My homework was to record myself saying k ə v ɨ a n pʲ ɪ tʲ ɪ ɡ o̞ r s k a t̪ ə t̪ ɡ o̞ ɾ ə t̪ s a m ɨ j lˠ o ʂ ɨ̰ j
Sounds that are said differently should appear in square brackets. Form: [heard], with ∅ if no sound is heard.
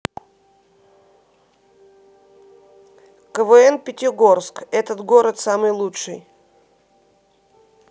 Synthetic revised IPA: k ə v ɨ [ɛ] n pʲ ɪ tʲ ɪ ɡ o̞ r s k [ɛ] t̪ ə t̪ ɡ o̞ ɾ ə t̪ s a m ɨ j lˠ [u] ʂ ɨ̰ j

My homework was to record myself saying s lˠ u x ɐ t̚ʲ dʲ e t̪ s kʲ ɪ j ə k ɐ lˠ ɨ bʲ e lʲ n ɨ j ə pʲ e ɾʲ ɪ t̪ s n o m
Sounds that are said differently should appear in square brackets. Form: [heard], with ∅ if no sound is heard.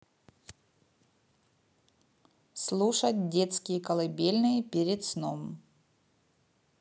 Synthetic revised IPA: s lˠ u [ʂ] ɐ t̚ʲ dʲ e t̪ s kʲ ɪ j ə k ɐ lˠ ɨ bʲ e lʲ n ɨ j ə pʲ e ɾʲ ɪ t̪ s n o m

